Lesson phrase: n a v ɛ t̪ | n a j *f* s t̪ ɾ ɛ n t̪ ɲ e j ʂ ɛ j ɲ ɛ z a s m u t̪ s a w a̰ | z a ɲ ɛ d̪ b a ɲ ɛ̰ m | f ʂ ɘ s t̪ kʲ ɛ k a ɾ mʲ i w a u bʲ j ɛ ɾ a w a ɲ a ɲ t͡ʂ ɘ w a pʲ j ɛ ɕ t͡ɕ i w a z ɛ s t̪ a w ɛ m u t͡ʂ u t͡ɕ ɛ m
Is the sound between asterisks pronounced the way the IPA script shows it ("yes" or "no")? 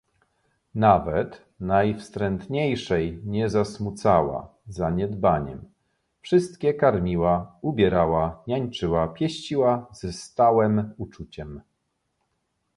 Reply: yes